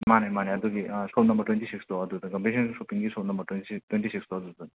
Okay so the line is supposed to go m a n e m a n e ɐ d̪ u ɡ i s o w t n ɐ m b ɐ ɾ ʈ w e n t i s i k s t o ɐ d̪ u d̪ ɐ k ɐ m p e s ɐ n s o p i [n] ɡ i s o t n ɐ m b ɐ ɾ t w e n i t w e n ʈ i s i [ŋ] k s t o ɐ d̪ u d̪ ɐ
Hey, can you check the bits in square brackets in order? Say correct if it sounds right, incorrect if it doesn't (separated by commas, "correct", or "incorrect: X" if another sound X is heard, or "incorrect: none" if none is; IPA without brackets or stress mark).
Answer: incorrect: ŋ, incorrect: none